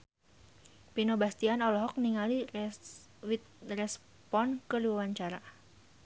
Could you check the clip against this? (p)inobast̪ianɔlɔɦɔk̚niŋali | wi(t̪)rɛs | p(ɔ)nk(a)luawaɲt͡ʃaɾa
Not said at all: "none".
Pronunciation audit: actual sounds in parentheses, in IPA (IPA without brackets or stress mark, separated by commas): p, t̪, ɔ, ə